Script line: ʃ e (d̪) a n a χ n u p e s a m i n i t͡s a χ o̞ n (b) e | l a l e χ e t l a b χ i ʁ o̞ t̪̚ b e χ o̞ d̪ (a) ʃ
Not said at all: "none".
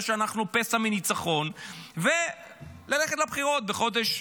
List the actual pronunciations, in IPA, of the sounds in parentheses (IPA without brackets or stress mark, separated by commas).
none, v, e